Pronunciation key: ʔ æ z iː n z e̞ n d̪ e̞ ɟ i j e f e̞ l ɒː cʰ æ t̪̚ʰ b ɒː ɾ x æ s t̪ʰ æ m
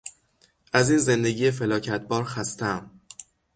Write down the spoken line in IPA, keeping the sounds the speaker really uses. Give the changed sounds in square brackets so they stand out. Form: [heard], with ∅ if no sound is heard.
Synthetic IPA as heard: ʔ æ z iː n z e̞ n d̪ e̞ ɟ i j e f e̞ l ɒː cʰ æ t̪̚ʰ b ɒː ɾ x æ s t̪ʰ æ m